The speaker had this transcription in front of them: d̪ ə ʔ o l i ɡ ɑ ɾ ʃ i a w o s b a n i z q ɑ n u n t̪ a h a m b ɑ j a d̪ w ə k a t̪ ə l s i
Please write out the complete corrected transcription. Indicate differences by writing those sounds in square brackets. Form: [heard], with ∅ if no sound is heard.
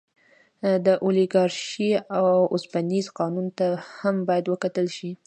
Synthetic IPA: d̪ ə ʔ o l i ɡ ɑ ɾ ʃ i a w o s b a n i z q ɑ n u n t̪ a h a m b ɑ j a d̪ w ə k a t̪ ə l [ʃ] i